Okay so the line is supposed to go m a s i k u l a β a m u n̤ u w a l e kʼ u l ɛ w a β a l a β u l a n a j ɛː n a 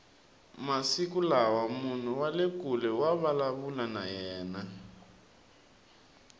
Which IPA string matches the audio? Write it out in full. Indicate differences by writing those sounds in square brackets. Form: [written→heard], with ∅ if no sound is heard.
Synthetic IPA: m a s i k u l a [β→w] a m u n̤ u w a l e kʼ u l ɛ w a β a l a β u l a n a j ɛː n a